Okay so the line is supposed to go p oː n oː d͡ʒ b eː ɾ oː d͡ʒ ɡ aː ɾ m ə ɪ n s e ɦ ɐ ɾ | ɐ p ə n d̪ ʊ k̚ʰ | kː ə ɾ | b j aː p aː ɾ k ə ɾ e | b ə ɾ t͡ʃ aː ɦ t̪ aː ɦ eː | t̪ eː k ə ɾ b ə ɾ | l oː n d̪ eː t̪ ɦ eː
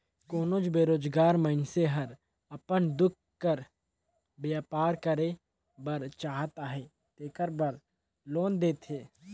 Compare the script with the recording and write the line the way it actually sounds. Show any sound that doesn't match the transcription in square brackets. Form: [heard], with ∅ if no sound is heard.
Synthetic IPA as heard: [k] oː n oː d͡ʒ b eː ɾ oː d͡ʒ ɡ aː ɾ m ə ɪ n s e ɦ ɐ ɾ | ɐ p ə n d̪ ʊ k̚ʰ | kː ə ɾ | b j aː p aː ɾ k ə ɾ e | b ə ɾ t͡ʃ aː ɦ t̪ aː ɦ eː | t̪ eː k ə ɾ b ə ɾ | l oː n d̪ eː t̪ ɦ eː